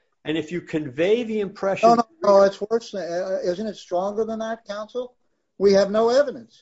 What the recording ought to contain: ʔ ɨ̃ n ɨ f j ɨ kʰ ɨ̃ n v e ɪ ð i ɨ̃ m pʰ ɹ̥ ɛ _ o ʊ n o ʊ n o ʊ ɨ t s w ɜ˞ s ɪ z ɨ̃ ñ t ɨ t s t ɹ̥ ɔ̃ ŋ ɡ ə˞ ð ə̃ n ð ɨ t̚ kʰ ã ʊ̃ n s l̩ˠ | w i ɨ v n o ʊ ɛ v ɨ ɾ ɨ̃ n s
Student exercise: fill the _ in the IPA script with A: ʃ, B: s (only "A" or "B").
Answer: A